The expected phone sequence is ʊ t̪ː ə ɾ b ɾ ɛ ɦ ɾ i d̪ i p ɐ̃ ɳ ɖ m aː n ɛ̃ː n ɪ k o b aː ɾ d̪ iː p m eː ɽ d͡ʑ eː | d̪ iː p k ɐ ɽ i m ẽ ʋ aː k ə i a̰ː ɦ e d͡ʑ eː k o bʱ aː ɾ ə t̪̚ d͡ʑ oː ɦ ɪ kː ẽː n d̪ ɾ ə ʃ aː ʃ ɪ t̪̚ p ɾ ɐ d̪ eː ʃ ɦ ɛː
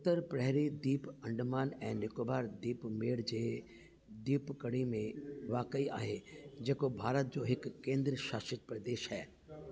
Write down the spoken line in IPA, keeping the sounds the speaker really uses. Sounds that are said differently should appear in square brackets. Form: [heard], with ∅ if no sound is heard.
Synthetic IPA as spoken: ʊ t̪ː ə ɾ [p] ɾ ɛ ɦ ɾ i d̪ [iː] p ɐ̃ ɳ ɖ m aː n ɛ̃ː n ɪ k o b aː ɾ d̪ iː p m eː ɽ d͡ʑ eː | d̪ iː p k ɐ ɽ i m ẽ ʋ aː k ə i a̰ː ɦ e d͡ʑ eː k o bʱ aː ɾ ə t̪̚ d͡ʑ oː ɦ ɪ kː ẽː n d̪ ɾ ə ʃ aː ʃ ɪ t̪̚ p ɾ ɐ d̪ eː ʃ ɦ ɛː